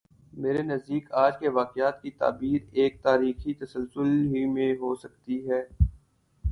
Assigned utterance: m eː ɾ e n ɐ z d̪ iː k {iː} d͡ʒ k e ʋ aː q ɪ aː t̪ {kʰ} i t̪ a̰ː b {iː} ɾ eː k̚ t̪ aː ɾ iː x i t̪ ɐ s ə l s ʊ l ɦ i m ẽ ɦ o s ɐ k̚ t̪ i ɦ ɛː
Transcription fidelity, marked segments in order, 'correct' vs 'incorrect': incorrect: aː, incorrect: k, correct

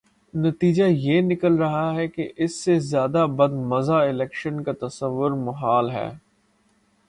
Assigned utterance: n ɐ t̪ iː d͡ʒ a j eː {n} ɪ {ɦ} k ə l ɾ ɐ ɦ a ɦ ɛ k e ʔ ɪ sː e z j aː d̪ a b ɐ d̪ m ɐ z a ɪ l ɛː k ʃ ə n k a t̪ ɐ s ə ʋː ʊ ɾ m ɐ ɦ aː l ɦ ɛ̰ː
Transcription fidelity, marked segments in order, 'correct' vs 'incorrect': correct, incorrect: none

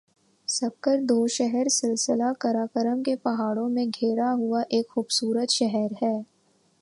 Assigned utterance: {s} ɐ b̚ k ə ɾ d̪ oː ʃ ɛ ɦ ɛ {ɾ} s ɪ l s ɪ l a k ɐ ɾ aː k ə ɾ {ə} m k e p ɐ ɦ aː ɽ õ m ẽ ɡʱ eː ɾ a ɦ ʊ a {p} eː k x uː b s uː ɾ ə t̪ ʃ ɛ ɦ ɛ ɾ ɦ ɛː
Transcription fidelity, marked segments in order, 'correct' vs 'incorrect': correct, correct, correct, incorrect: ʔ

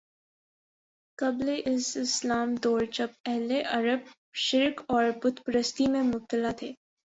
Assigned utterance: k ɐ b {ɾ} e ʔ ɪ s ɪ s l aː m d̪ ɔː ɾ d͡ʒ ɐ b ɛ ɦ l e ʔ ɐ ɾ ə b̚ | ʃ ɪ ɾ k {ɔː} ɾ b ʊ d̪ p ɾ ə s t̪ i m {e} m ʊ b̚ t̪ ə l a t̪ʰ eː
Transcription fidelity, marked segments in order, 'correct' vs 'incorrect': incorrect: l, correct, incorrect: ẽ

